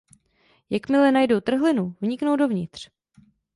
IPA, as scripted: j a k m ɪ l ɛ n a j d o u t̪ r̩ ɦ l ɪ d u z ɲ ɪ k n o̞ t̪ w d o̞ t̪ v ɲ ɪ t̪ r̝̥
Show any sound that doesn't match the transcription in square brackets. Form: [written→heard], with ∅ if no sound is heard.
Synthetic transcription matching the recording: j a k m ɪ l ɛ n a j d o [u→w] t̪ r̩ ɦ l ɪ [d→n] u [z→v] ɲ ɪ k n o̞ [t̪→∅] w d o̞ [t̪→∅] v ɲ ɪ t̪ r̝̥